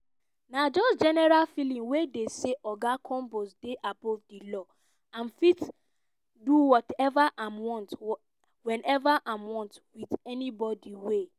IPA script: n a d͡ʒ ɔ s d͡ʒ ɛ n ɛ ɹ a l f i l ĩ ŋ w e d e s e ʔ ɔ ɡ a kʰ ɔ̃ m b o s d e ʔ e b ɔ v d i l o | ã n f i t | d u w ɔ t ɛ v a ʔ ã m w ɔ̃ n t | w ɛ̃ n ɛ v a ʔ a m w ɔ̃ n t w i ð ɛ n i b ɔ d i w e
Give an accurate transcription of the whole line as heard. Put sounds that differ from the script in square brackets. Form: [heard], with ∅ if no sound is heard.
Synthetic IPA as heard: n a d͡ʒ ɔ s d͡ʒ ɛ n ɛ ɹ a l f i l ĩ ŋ w e d e s e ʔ ɔ ɡ a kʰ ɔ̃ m b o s d e ʔ [a] b ɔ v d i l [ɔ] | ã n f i t | d u w ɔ t ɛ v a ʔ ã m w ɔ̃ n t | w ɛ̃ n ɛ v a ʔ a m w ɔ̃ n t w i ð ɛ n i b ɔ d i w e

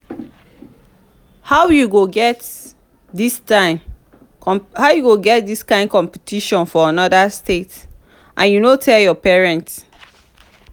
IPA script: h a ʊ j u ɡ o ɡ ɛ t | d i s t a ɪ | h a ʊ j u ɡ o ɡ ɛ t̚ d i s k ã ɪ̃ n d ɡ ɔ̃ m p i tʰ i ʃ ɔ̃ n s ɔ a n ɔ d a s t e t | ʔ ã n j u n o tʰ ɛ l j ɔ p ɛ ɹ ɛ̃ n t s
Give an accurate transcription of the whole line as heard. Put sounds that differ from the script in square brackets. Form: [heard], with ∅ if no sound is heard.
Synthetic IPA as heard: h a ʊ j u ɡ o ɡ ɛ t | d i s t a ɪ | h a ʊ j u ɡ o ɡ ɛ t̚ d i s k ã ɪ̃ n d [k] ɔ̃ m p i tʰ i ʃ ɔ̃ n [f] ɔ a n ɔ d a s t e t | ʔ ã n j u n o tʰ ɛ l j ɔ p ɛ ɹ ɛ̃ n t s

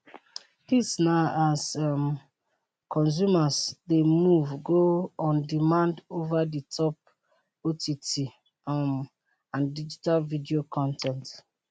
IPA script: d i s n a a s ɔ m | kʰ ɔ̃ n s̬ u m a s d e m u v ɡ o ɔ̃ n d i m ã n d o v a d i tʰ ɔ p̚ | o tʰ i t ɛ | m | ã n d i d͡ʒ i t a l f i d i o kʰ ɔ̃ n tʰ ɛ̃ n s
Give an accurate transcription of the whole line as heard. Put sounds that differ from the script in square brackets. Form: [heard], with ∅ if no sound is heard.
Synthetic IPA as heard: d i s n a a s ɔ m | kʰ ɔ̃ n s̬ u m a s d e m u v ɡ o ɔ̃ n d i m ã n d o v a d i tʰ ɔ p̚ | o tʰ i t [i] | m | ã n d i d͡ʒ i t a l [v] i d i o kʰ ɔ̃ n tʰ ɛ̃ n [t]

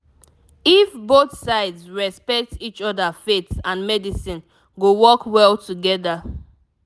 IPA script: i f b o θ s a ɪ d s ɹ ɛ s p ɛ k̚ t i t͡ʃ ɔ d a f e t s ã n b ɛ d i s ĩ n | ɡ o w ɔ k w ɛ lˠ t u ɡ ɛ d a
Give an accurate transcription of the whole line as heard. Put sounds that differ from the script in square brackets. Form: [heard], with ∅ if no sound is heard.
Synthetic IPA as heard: i f b o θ s a ɪ d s ɹ ɛ s p ɛ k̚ t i t͡ʃ ɔ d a f e t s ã n [m] ɛ d i s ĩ n | ɡ o w ɔ k w ɛ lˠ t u ɡ ɛ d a

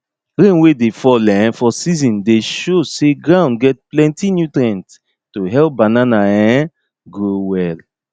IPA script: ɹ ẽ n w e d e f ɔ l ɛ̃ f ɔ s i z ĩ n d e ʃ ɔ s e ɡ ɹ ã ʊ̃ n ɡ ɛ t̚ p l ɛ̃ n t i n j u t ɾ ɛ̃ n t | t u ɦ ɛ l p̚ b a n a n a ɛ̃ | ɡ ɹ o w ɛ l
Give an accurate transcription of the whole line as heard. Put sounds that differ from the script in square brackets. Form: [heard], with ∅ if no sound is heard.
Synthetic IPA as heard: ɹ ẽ n w e d e f ɔ l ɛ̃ f ɔ s i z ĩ n d e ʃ [o] s e ɡ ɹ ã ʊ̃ n ɡ ɛ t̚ p l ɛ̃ n t i n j u t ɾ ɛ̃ n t | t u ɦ ɛ l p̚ b a n a n a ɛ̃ | ɡ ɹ o w ɛ l

